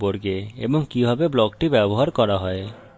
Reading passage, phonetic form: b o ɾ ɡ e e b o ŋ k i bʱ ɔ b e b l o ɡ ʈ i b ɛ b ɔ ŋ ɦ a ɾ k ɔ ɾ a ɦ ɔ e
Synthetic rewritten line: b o ɾ ɡ e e b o ŋ k i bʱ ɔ b e b l ɔ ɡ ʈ i b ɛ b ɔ ɦ a ɾ k ɔ ɾ a ɦ ɔ e

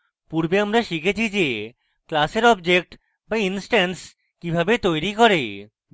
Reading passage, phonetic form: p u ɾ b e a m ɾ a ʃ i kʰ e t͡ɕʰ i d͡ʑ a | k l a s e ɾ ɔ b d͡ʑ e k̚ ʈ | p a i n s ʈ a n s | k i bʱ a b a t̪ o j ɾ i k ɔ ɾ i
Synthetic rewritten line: p u ɾ b e a m ɾ a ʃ i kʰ e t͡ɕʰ i d͡ʑ e | k l a s e ɾ ɔ b d͡ʑ e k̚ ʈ | b a i n s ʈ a n s | k i bʱ a b e t̪ o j ɾ i k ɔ ɾ e

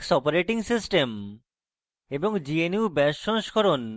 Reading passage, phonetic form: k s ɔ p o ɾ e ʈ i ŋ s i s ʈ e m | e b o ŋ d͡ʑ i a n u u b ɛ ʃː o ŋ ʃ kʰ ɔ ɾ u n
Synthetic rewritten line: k s ɔ p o ɾ e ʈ i ŋ s i s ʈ e m | e b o ŋ d͡ʑ i e n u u b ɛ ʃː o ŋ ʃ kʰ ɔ ɾ o n

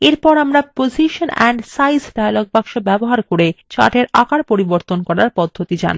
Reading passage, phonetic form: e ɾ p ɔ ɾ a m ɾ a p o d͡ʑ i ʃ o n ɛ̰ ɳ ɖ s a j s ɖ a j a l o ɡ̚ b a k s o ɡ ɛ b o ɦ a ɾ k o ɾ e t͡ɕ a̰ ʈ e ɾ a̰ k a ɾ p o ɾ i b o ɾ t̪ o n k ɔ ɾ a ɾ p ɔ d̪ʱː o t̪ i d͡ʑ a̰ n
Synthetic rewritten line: e ɾ p ɔ ɾ a m ɾ a p o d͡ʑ i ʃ o n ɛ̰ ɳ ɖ s a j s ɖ a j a l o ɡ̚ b a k ʃ o b ɛ b o ɦ a ɾ k o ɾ e t͡ɕ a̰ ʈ e ɾ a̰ k a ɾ p o ɾ i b o ɾ t̪ o n k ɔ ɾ a ɾ p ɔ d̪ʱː o t̪ i d͡ʑ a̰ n

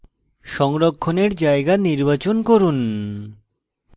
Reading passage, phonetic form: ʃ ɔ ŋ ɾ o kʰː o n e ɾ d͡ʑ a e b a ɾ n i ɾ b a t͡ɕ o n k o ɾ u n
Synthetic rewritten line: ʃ ɔ ŋ ɾ o kʰː o n e ɾ d͡ʑ a e ɡ a n i ɾ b a t͡ɕ o n k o ɾ u n

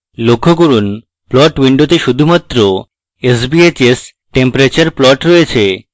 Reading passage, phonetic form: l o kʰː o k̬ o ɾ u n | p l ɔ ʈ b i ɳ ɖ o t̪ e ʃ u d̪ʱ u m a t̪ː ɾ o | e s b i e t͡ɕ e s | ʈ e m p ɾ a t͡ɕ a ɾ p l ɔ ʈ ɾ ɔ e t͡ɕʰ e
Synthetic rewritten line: l o kʰː o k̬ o ɾ u n | p l ɔ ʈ w i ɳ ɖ o t̪ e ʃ u d̪ʱ u m a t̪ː ɾ o | e s b i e t͡ɕ e s | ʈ e m p ɾ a t͡ɕ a ɾ p l ɔ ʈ ɾ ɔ e t͡ɕʰ e

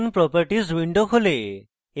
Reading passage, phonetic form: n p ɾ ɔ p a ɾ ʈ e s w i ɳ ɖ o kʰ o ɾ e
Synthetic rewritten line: n p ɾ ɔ p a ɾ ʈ i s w i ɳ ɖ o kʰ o l e

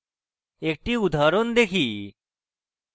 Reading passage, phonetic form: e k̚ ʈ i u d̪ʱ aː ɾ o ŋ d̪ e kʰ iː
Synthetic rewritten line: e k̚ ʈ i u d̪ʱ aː ɾ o n d̪ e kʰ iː

